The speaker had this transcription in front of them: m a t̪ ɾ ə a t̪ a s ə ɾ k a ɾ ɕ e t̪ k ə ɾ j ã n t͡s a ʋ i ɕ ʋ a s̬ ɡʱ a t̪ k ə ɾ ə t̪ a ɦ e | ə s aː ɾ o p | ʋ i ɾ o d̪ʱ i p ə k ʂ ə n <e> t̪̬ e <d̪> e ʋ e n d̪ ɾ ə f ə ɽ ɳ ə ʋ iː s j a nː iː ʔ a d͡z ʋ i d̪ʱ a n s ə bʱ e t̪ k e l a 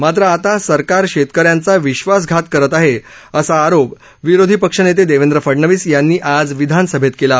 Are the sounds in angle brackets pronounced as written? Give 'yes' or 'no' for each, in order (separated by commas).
yes, yes